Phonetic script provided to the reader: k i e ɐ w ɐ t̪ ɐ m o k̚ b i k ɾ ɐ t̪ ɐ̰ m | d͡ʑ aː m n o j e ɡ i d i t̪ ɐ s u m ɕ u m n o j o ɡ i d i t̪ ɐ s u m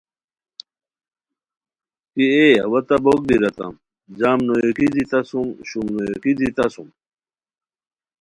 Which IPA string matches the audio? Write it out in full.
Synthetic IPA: k i e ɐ w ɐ t̪ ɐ b o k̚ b i ɾ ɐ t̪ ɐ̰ m | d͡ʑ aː m n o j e k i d i t̪ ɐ s u m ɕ u m n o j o k i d i t̪ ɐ s u m